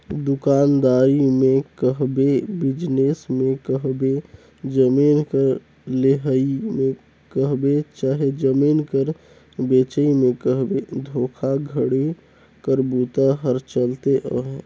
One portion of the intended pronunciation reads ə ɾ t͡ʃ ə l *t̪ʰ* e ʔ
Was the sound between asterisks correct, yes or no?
no